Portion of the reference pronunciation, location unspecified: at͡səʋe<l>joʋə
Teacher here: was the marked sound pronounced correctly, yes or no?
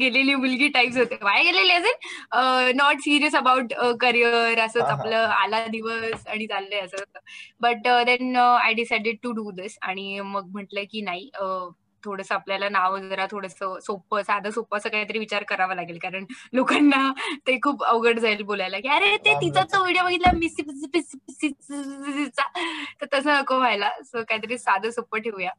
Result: no